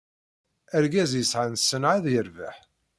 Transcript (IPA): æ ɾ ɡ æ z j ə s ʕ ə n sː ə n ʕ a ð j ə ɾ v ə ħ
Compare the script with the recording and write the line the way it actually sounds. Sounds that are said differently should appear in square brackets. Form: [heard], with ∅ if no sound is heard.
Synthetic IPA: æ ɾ ɡ æ z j ə s ʕ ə n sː ə n ʕ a ð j ə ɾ v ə ħ